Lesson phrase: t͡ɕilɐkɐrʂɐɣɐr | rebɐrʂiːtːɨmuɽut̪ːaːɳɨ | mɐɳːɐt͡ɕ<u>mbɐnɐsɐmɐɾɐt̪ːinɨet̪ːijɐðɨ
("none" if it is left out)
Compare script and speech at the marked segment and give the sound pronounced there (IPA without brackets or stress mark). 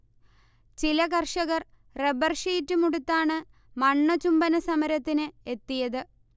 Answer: u